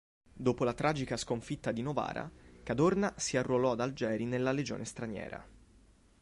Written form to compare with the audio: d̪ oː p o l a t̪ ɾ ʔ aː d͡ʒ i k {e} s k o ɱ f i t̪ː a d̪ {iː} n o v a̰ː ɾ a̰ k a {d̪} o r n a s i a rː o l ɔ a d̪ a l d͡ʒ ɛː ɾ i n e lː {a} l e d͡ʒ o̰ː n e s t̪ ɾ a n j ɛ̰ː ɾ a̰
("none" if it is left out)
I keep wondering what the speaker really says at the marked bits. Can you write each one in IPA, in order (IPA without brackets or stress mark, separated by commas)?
a, i, d̪, a